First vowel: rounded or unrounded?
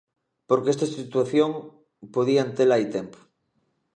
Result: rounded